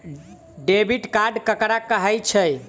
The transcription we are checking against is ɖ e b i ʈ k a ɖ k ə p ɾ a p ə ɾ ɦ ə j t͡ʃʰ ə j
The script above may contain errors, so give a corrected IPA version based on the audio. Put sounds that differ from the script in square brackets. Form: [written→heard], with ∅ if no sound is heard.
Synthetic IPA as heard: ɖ e b i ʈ k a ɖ k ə [p→k] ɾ a [p→k] ə [ɾ→∅] ɦ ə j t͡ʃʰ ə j